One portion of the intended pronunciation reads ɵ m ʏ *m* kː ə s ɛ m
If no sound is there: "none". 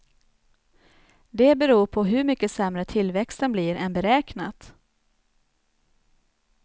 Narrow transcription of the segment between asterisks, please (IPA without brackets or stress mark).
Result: none